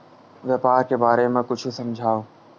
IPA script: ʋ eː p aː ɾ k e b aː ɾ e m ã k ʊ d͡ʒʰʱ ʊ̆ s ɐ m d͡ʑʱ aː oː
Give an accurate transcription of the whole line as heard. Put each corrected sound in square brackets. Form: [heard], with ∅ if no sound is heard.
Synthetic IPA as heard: ʋ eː p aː ɾ k e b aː ɾ e m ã k ʊ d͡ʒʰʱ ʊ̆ s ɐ m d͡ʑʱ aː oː